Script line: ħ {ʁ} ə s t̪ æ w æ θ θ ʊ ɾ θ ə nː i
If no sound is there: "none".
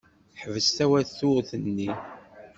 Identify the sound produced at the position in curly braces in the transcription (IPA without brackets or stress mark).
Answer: v